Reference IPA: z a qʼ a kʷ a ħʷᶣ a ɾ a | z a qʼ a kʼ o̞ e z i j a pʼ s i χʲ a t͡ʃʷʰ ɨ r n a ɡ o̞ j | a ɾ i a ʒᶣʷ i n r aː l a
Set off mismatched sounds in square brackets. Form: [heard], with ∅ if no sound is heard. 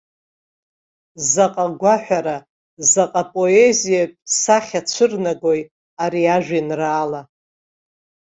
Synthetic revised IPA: z a qʼ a [ɡʷ] a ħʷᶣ a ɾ a | z a qʼ a [pʼ] o̞ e z i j a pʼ s [a] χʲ a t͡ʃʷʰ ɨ r n a ɡ o̞ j | a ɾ i a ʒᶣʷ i n r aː l a